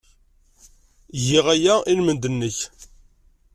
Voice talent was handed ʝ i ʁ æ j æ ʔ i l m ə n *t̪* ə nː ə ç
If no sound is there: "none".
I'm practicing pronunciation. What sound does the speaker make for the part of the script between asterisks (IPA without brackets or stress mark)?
d̪